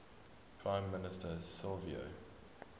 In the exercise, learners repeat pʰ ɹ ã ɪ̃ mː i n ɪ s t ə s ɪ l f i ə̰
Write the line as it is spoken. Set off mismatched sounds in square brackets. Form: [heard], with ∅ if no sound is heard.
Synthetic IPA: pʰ ɹ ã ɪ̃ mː [ɪ] n ɪ s t ə s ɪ l [v] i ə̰